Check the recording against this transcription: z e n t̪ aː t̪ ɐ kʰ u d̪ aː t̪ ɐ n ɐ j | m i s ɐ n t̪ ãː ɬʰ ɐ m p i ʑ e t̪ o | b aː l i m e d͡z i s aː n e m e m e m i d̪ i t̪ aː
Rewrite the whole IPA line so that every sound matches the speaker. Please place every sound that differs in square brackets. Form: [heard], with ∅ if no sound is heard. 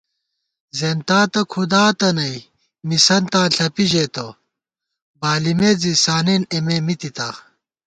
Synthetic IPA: z e n t̪ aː t̪ ɐ kʰ u d̪ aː t̪ ɐ n ɐ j | m i s ɐ n t̪ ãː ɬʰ ɐ [∅] p i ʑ e t̪ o | b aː l i m e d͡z i s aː n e [n] e m e m i [t̪] i t̪ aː